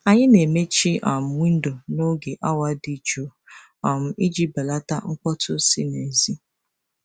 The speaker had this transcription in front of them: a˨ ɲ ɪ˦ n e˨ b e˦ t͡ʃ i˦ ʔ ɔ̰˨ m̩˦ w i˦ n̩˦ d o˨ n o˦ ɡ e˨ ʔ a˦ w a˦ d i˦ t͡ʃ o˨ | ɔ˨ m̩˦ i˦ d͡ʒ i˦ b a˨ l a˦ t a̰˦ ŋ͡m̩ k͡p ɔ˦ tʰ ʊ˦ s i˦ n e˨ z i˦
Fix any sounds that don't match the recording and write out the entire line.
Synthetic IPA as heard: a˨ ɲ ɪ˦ n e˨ m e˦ t͡ʃ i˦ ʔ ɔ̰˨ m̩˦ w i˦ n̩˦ d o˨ n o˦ ɡ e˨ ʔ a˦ w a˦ d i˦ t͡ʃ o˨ | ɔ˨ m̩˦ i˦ d͡ʒ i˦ b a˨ l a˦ t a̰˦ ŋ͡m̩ k͡p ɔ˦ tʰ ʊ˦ s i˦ n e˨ z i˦